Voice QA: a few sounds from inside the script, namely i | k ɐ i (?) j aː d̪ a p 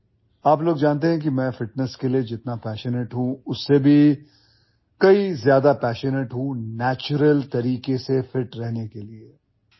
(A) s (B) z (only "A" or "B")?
B